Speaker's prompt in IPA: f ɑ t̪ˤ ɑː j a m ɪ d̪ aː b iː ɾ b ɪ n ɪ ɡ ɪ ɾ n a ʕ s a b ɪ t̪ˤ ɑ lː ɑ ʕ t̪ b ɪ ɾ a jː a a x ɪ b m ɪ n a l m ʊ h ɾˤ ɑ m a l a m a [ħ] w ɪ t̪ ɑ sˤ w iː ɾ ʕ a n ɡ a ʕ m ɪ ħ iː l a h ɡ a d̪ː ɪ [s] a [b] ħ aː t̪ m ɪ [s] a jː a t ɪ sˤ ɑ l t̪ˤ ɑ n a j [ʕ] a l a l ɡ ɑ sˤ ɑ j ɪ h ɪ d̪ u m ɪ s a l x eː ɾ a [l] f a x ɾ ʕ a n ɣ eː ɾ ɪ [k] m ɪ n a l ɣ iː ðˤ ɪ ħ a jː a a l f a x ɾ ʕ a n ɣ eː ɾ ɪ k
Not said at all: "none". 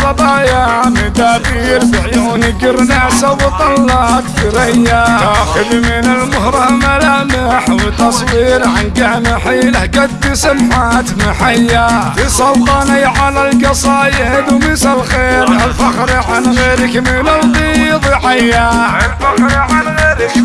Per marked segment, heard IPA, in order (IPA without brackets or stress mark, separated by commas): ħ, s, m, ħ, ʕ, l, k